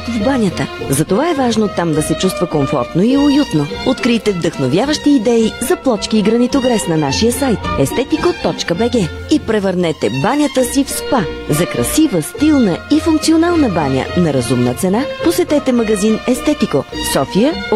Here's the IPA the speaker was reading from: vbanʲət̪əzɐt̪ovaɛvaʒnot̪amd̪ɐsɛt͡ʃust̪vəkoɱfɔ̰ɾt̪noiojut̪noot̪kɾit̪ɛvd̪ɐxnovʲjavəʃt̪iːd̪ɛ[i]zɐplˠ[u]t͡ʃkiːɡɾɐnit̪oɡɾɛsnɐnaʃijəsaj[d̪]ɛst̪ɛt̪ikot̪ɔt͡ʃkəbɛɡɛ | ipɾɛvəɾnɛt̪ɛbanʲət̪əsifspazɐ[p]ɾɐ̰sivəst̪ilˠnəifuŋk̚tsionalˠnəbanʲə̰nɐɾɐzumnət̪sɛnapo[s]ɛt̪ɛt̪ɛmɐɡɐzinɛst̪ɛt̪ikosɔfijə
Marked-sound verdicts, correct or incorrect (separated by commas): correct, incorrect, incorrect, incorrect, correct